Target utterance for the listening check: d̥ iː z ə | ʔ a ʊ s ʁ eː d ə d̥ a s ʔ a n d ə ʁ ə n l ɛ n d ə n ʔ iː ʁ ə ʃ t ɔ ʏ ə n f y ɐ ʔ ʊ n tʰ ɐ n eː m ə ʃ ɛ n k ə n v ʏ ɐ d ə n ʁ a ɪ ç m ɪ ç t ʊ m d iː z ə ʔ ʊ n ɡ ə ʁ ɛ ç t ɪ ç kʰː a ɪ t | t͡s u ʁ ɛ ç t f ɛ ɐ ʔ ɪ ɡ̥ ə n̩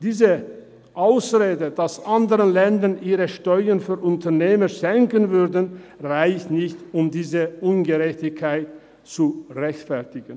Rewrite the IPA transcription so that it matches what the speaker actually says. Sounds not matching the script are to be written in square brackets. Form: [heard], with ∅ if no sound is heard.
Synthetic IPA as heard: d̥ iː z ə | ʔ a ʊ s ʁ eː d ə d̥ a s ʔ a n d ə ʁ ə n l ɛ n d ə n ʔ iː ʁ ə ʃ t ɔ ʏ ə n f [yː] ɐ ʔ ʊ n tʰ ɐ n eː m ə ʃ ɛ [ŋ] k ə n v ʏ ɐ d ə n ʁ a ɪ ç [n] ɪ ç t ʊ m d iː z ə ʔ ʊ n ɡ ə ʁ ɛ ç t ɪ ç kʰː a ɪ t | t͡s u ʁ ɛ ç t f ɛ ɐ [t] ɪ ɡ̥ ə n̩

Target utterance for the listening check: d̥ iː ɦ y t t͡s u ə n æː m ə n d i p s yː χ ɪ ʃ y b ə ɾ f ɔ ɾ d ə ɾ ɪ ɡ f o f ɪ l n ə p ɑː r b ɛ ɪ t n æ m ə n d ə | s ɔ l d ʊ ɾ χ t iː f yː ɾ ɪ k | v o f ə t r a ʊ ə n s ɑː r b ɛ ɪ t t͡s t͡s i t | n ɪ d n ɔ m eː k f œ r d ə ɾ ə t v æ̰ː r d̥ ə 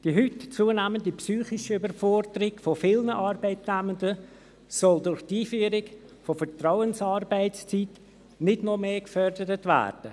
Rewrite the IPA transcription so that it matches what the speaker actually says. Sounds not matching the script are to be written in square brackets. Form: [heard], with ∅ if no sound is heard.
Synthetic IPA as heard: d̥ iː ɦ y t t͡s u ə n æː m ə n d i p s yː χ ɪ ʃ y b ə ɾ f ɔ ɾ d ə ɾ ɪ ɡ f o f ɪ l n ə [ʔ] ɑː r b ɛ ɪ t n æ m ə n d ə | s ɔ l d ʊ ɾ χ t iː f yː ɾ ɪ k | [f] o f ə t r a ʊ ə n s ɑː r b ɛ ɪ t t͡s t͡s i t | n ɪ d n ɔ m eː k f œ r d ə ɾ ə t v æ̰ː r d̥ ə

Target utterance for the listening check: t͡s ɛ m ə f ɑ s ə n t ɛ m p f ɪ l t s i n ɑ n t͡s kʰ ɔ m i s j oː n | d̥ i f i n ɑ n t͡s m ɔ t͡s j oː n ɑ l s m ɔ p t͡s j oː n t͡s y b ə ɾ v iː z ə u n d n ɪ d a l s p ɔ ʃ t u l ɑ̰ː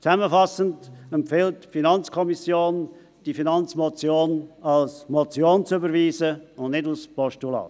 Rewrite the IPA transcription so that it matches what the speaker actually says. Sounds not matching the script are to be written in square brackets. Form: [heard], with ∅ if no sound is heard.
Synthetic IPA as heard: t͡s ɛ m ə f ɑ s ə n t ɛ m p f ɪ l t [f] i n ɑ n t͡s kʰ ɔ m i s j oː n | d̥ i f i n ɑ n t͡s m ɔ t͡s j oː n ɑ l s m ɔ [∅] t͡s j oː n t͡s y b ə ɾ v iː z ə [ʊ] n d n ɪ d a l s p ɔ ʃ t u l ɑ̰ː

